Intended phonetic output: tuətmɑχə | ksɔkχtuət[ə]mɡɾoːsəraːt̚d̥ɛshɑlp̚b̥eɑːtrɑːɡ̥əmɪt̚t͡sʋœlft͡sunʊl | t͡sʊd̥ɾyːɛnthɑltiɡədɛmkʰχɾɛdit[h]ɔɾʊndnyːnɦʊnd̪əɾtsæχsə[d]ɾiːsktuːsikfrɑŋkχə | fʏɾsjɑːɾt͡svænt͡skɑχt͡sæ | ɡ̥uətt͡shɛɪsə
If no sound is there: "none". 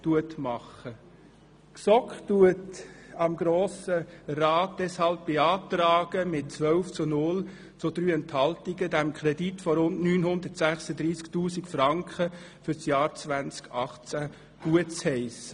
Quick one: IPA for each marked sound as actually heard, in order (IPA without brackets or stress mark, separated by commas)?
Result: ɑ, f, d